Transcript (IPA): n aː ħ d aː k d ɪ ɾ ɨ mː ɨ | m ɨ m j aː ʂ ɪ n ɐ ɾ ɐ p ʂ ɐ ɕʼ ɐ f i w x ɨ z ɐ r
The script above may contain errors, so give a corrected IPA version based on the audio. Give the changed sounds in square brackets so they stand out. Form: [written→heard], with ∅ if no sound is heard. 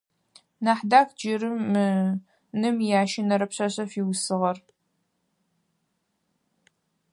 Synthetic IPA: n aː ħ d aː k [d→d͡ʒ] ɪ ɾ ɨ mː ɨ | [m→n] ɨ m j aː [ʂ→ʃ] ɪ n ɐ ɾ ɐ p [ʂ→ɕ] ɐ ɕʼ ɐ f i w [x→s] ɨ [z→ʁ] ɐ r